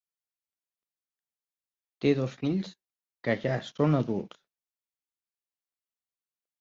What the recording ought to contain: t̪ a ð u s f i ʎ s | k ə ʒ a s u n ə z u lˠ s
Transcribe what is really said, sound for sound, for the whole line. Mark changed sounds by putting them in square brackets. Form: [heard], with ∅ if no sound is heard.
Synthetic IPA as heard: t̪ [e] ð [o] s f i ʎ s | k ə ʒ a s [o] n ə [ð] u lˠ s